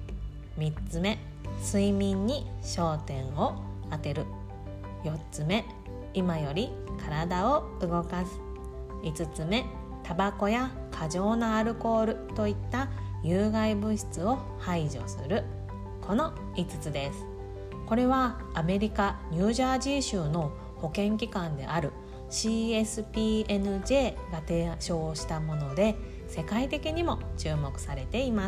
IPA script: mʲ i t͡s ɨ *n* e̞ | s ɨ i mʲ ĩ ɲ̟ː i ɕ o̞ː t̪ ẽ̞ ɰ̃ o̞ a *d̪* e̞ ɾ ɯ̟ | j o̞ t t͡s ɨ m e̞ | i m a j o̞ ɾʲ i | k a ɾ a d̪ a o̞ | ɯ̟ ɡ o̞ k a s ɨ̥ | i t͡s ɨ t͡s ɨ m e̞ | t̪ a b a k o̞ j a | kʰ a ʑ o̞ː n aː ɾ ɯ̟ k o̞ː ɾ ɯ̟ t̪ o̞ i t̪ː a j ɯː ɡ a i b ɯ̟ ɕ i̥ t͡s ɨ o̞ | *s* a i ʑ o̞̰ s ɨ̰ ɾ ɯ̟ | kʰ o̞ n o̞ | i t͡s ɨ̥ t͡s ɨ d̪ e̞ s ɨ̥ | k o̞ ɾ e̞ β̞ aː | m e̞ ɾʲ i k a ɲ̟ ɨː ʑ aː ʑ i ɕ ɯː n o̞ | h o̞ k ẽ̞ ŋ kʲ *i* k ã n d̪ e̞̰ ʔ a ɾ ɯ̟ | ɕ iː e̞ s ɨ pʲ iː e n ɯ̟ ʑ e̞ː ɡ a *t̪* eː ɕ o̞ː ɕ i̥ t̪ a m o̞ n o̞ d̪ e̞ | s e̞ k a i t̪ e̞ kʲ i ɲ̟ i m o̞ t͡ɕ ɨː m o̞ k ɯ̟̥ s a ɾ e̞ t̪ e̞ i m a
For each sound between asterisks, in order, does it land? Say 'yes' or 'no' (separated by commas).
no, no, no, yes, yes